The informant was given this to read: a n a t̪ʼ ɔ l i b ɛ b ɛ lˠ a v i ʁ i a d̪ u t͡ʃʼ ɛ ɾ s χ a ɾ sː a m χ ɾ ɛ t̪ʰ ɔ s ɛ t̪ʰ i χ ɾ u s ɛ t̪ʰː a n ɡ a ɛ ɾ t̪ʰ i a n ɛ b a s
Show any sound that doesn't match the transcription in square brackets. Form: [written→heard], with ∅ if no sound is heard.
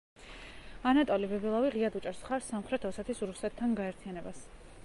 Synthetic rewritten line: a n a t̪ʼ ɔ l i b ɛ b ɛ lˠ a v i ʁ i a d̪ u t͡ʃʼ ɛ ɾ s χ a ɾ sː a m χ ɾ ɛ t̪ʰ ɔ s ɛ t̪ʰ i [χ→s] ɾ u s ɛ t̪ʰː a n ɡ a ɛ ɾ t̪ʰ i a n ɛ b a s